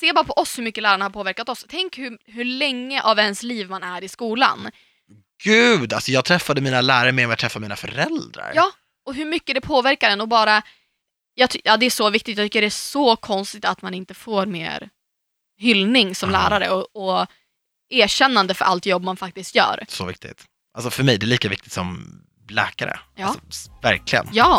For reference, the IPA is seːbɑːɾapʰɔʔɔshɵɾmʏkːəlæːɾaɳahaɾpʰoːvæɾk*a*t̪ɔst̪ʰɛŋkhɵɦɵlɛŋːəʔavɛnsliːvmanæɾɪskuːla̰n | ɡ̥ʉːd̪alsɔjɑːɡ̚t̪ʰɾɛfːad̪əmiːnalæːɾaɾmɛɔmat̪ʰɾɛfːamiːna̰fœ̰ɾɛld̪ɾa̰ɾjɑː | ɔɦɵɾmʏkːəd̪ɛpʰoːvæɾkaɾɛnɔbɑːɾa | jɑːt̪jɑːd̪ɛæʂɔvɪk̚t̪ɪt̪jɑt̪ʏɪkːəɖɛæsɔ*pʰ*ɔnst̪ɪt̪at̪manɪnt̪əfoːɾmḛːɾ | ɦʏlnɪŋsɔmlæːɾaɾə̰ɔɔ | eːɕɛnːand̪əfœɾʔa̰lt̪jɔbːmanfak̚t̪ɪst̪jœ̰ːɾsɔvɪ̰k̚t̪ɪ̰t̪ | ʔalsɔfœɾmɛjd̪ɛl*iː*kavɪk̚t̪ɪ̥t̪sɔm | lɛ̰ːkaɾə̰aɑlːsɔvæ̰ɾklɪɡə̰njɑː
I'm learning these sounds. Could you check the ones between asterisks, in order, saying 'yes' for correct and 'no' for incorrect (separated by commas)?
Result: yes, no, yes